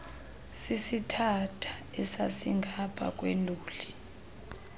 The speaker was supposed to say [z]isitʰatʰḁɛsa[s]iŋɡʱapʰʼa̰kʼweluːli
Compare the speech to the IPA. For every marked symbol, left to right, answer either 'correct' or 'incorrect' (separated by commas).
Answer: incorrect, correct